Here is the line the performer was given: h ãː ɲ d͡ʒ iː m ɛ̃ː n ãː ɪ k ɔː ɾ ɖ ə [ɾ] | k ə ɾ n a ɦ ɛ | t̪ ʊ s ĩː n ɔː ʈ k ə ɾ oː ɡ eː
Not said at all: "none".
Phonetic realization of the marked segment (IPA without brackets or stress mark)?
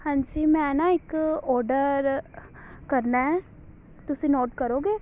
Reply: ɾ